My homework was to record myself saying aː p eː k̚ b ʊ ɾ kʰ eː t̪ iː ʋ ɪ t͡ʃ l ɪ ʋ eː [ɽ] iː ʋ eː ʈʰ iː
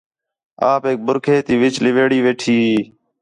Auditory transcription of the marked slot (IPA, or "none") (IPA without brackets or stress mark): ɽ